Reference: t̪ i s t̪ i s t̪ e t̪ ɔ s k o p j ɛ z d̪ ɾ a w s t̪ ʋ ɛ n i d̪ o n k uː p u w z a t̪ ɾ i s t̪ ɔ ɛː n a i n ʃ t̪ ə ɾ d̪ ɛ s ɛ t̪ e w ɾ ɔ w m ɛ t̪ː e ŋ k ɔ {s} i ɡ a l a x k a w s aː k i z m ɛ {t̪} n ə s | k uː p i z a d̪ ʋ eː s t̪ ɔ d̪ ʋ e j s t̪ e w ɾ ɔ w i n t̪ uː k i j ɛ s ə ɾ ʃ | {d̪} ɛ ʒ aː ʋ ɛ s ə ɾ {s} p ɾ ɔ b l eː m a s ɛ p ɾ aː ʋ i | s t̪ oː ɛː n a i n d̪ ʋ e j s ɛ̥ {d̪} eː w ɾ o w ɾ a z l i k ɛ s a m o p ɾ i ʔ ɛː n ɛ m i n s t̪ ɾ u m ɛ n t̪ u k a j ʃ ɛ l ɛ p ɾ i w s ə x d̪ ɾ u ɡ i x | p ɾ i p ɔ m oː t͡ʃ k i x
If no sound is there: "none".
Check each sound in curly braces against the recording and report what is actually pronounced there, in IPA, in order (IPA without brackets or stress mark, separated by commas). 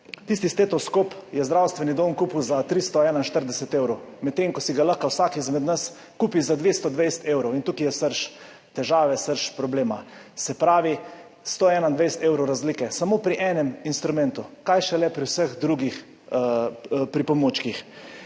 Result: s, d̪, t̪, ʃ, t̪